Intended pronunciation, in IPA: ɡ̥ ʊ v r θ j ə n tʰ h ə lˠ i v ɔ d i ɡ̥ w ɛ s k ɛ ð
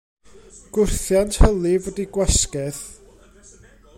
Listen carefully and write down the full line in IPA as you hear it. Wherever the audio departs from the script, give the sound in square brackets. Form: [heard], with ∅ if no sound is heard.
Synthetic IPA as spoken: ɡ̥ ʊ [∅] r θ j [a] n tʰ h ə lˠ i v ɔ d i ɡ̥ w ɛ s k ɛ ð